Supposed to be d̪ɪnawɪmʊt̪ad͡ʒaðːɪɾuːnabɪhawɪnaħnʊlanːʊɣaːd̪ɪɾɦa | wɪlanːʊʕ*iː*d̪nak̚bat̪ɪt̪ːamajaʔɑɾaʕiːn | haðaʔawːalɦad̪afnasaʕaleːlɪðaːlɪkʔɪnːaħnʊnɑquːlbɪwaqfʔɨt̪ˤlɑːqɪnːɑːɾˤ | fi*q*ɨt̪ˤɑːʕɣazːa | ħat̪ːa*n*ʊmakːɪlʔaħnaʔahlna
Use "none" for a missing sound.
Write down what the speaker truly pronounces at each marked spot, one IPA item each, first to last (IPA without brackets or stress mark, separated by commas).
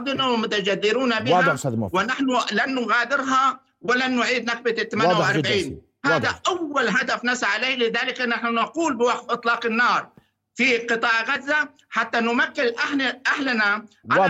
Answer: iː, q, n